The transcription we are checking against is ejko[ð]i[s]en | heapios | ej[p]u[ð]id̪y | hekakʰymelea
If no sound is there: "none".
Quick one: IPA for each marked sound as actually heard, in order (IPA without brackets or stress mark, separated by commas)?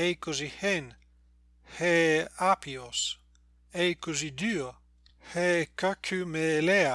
z, h, k, z